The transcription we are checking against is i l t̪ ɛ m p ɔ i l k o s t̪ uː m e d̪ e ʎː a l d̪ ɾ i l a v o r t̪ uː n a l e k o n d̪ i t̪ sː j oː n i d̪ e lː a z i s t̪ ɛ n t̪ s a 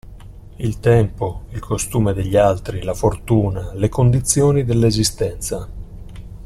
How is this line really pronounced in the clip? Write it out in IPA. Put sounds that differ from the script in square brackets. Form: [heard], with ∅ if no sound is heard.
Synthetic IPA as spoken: i l t̪ ɛ m p [o] i l k o s t̪ uː m e d̪ e ʎː a l [t̪] ɾ i l a [f] o r t̪ uː n a l e k o n d̪ i t̪ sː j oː n i d̪ e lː [e] z i s t̪ ɛ n t̪ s a